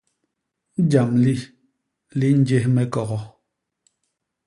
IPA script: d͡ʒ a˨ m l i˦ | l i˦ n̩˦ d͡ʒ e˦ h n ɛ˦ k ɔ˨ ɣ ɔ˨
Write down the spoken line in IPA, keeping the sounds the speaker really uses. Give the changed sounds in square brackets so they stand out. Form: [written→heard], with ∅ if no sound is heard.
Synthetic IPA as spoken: d͡ʒ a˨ m l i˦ | l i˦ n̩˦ d͡ʒ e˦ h [n→m] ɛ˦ k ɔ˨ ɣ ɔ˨